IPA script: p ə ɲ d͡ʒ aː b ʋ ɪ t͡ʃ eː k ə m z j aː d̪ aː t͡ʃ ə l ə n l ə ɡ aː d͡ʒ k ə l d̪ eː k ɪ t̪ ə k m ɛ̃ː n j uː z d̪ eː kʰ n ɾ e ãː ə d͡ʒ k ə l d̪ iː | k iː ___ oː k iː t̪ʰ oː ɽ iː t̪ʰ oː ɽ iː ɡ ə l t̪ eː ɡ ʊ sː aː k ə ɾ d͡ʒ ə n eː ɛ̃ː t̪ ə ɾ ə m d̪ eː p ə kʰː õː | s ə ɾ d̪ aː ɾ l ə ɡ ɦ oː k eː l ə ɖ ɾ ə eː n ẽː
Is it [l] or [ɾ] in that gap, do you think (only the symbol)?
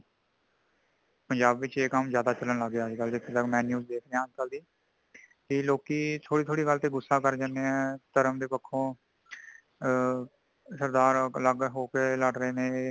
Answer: l